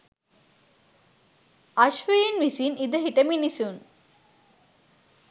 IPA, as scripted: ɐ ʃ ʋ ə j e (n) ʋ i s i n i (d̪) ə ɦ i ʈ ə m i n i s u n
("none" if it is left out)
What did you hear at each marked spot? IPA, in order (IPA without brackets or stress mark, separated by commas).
n, d̪